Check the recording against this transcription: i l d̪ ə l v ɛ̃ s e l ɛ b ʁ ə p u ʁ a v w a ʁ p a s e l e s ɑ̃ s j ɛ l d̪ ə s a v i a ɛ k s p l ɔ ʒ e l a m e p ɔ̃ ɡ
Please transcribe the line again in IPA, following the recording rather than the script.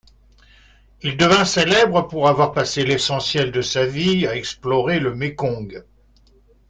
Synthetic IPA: i l d̪ ə v ɛ̃ s e l ɛ b ʁ ə p u ʁ a v w a ʁ p a s e l e s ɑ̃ s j ɛ l d̪ ə s a v i a ɛ k s p l ɔ ʁ e l ə m e k ɔ̃ ɡ